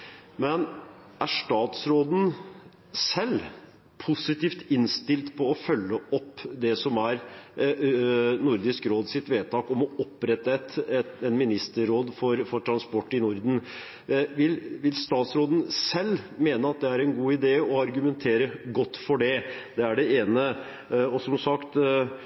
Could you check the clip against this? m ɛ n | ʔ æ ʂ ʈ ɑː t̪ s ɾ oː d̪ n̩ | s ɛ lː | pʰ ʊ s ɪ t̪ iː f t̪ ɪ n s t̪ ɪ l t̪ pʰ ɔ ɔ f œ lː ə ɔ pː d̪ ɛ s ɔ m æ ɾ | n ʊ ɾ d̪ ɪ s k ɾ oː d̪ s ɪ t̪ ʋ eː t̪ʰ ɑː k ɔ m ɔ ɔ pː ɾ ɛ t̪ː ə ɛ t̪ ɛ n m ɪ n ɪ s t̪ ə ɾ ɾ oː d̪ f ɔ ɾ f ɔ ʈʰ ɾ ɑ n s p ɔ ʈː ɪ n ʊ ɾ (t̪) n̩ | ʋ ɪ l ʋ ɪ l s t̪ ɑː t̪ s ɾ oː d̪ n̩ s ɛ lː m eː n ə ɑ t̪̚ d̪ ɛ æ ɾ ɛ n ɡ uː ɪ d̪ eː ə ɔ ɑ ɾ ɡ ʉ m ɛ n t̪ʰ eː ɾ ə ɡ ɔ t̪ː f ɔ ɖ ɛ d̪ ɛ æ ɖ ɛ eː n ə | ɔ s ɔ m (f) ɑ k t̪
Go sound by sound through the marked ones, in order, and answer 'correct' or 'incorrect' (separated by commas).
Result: incorrect, incorrect